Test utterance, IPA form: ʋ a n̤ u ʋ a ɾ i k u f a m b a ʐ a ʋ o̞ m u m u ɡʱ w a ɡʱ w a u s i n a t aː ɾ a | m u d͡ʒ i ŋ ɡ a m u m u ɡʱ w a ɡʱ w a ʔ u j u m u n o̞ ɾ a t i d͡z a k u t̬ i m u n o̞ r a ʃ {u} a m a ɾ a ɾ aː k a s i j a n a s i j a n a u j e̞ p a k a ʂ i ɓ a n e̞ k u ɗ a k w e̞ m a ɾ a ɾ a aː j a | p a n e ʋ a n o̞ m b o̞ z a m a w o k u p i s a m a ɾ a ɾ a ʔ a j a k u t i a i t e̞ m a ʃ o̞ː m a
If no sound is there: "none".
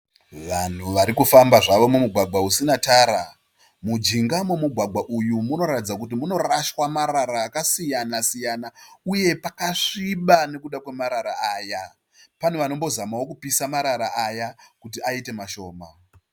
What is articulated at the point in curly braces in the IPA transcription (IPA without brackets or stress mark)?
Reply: w